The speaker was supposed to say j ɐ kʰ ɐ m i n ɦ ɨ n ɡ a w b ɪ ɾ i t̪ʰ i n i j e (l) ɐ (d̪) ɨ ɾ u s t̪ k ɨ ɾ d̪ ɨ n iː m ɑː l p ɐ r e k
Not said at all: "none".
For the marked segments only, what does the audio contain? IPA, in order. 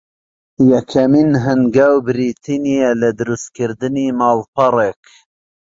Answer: l, d̪

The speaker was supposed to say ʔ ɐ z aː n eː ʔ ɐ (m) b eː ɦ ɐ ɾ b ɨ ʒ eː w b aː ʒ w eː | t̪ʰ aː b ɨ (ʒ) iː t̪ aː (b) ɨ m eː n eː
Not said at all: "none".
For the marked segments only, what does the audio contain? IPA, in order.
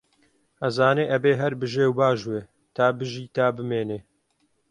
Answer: none, ʒ, b

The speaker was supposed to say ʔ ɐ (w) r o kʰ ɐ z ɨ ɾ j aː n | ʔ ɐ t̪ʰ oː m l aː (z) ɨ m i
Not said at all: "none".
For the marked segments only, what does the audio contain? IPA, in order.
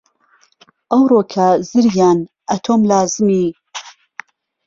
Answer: w, z

